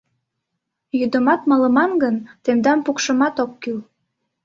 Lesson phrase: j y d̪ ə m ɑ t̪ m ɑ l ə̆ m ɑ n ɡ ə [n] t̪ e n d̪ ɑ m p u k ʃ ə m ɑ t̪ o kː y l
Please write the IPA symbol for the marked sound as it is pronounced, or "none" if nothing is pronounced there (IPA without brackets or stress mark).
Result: n